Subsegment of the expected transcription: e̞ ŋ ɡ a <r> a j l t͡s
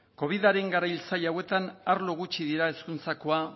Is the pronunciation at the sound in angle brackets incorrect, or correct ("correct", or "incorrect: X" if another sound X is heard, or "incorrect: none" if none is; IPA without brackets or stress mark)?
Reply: incorrect: ɾ